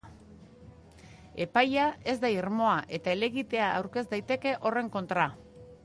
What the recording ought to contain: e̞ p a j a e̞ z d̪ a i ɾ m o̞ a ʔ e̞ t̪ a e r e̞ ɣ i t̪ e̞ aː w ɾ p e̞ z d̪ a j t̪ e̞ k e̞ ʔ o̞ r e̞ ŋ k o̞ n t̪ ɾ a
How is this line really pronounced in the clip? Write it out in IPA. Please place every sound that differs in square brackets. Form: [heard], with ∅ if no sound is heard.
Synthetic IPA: e̞ p a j a e̞ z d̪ a i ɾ m o̞ a ʔ e̞ t̪ a e [l] e̞ ɣ i t̪ e̞ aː w ɾ [k] e̞ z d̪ a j t̪ e̞ k e̞ ʔ o̞ r e̞ ŋ k o̞ n t̪ ɾ a